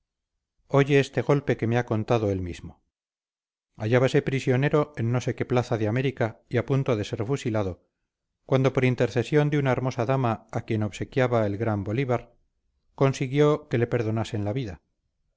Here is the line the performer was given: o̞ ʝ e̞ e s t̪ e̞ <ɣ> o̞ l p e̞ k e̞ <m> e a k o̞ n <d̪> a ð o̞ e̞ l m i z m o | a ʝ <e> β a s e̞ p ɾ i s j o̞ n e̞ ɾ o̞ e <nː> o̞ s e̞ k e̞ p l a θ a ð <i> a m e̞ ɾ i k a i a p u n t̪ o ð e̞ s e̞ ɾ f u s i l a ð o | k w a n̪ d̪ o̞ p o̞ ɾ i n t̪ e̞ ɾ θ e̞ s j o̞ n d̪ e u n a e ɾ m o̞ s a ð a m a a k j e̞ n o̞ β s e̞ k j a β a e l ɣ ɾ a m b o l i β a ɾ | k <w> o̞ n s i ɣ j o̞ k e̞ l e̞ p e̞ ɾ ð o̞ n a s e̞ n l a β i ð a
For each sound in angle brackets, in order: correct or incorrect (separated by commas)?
correct, correct, incorrect, incorrect, correct, incorrect, correct